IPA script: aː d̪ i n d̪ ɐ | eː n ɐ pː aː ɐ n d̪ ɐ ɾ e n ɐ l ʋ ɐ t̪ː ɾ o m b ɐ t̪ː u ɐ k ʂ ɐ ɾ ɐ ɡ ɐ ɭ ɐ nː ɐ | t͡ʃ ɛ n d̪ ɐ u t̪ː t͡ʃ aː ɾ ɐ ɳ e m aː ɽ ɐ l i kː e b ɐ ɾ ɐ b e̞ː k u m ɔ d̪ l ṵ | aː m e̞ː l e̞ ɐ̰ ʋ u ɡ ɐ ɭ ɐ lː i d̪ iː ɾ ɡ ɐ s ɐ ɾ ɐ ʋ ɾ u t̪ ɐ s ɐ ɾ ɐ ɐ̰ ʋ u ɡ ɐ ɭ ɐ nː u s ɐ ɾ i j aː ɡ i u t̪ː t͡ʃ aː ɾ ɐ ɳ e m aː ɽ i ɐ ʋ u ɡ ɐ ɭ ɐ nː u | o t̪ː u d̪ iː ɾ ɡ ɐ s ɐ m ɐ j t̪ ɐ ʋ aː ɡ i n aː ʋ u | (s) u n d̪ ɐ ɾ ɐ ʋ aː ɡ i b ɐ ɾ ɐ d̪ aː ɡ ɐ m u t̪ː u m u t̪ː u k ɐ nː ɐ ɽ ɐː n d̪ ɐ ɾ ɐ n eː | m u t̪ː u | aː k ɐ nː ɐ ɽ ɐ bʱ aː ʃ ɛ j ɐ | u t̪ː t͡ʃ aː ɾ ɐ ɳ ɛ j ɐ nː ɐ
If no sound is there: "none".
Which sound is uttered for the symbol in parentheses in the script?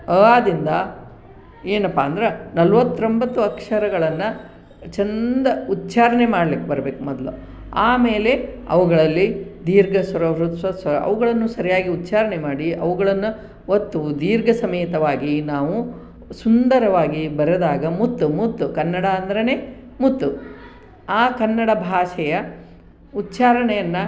s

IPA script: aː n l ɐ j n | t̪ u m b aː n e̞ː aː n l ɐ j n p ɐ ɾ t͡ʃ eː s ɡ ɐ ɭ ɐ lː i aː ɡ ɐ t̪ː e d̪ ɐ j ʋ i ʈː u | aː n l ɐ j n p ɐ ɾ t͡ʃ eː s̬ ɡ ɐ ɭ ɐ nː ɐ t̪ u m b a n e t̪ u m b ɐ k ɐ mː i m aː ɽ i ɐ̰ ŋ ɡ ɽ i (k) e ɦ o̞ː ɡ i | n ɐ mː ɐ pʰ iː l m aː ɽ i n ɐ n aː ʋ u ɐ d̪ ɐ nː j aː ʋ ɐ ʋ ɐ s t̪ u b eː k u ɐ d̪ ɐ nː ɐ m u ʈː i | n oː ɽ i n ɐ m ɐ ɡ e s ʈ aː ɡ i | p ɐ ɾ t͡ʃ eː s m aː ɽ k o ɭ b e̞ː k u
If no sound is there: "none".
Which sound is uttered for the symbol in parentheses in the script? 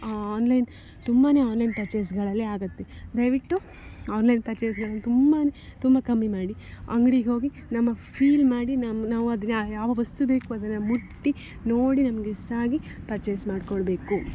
ɡ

